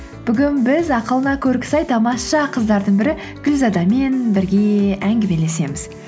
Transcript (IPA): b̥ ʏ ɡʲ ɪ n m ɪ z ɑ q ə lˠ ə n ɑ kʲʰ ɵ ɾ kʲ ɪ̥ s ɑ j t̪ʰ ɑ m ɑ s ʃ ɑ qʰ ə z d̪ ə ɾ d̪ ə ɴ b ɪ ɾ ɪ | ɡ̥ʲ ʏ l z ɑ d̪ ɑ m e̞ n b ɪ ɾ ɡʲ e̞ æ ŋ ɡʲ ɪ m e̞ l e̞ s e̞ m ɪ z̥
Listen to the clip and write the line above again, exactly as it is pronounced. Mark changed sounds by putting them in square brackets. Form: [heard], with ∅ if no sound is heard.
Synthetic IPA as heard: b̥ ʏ ɡʲ ɪ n [b] ɪ z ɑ q ə lˠ ə n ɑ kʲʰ ɵ ɾ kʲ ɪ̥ s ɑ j t̪ʰ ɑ m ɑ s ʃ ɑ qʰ ə z d̪ [ɑ] ɾ d̪ ə ɴ b ɪ ɾ ɪ | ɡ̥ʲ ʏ l z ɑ d̪ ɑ m e̞ n b ɪ ɾ ɡʲ e̞ æ ŋ ɡʲ ɪ m e̞ l e̞ s e̞ m ɪ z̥